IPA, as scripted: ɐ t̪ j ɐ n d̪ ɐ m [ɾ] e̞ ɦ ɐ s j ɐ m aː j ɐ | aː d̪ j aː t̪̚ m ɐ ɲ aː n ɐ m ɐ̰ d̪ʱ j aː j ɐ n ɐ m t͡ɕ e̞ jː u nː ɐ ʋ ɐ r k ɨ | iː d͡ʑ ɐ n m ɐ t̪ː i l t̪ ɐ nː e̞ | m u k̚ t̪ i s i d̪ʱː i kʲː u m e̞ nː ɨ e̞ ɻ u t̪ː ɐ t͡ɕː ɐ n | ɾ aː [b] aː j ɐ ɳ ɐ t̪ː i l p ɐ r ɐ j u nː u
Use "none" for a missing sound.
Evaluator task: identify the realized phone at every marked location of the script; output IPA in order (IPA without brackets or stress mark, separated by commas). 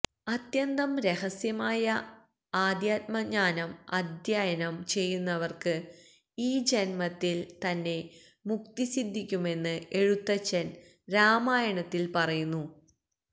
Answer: ɾ, m